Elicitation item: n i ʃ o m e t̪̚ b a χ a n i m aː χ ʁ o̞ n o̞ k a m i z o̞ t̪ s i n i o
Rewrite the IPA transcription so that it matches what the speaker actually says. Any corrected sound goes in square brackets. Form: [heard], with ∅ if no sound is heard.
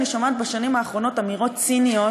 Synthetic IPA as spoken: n i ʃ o m [a] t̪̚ b a [ʃ] a n i m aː χ ʁ o̞ n o̞ [t] a m i [ʁ] o̞ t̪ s i n i o